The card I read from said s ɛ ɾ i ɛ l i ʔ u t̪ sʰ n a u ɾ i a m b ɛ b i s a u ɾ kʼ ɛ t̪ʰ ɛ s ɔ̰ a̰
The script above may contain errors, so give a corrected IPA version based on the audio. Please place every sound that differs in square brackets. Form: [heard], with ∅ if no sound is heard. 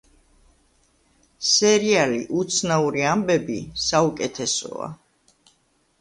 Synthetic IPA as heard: s ɛ ɾ i [a] l i ʔ u t̪ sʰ n a u ɾ i a m b ɛ b i s a u [∅] kʼ ɛ t̪ʰ ɛ s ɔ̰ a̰